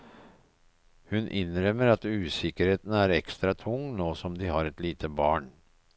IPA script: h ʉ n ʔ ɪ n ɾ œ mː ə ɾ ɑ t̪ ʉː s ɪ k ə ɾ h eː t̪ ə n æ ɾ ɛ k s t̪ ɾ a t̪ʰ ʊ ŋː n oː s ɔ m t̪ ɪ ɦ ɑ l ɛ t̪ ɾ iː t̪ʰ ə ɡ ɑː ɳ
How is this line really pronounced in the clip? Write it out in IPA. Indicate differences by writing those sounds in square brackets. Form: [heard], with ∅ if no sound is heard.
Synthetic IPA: h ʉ n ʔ ɪ n ɾ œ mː ə ɾ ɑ t̪ ʉː s ɪ k ə ɾ h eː t̪ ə n æ ɾ ɛ k s t̪ ɾ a t̪ʰ ʊ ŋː n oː s ɔ m [d̪] ɪ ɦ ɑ [ɾ] ɛ t̪ [l] iː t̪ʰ ə [b] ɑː ɳ

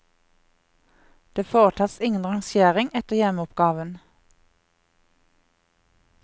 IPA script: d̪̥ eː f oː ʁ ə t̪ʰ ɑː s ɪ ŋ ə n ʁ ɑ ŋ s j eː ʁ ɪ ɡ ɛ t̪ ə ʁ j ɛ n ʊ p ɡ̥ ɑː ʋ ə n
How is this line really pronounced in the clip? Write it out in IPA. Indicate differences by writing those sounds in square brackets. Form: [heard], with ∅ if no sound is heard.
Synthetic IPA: d̪̥ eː f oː ʁ ə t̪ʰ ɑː s ɪ ŋ ə n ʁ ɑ ŋ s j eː ʁ ɪ [ŋ] ɛ t̪ ə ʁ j ɛ [m] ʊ p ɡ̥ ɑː ʋ ə n

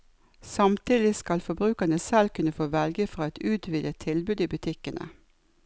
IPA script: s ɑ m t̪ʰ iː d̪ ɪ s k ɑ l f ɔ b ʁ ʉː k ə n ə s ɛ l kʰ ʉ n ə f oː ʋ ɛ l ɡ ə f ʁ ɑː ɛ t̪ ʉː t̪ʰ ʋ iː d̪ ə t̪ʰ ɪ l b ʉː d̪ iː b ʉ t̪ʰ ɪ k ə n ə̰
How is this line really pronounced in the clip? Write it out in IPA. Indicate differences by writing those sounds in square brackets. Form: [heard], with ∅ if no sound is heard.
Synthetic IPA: s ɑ m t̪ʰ iː d̪ ɪ s k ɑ l f ɔ b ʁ ʉː k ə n ə s ɛ l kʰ ʉ n ə f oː ʋ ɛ l ɡ ə f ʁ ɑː ɛ t̪ ʉː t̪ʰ ʋ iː d̪ ə t̪ʰ ɪ l b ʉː d̪ iː b ʉ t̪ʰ ɪ k ə n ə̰

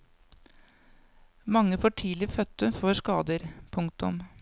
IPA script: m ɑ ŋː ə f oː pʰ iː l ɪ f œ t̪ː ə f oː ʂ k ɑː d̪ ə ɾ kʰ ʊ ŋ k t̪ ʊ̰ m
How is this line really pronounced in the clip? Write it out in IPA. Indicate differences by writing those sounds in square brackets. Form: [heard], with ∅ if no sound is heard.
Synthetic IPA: m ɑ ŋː ə f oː [ʈʰ] iː l ɪ f œ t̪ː ə f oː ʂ k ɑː d̪ ə ɾ [pʰ] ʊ ŋ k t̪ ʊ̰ m

